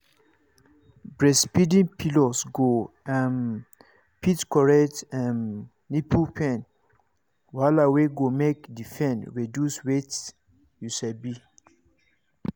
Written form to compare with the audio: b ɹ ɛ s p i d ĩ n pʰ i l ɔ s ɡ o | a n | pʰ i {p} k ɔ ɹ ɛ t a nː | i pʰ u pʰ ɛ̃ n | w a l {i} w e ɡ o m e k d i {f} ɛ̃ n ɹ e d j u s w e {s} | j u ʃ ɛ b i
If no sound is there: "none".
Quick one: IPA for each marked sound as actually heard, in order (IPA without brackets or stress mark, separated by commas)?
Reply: t, a, f, t